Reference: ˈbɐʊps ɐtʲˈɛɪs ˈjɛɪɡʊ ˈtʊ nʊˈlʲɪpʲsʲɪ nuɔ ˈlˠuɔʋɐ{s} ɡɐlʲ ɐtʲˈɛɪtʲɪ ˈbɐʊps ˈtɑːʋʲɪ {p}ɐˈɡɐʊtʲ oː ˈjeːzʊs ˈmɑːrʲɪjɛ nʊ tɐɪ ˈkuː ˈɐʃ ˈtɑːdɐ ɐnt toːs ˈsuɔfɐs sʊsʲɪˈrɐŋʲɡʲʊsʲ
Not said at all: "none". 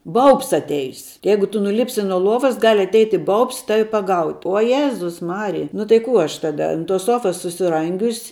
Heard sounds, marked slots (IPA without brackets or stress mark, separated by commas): s, p